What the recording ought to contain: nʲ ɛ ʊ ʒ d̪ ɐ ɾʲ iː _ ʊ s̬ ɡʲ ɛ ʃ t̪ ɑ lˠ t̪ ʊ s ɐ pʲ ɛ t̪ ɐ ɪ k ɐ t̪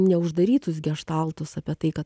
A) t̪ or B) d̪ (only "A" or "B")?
A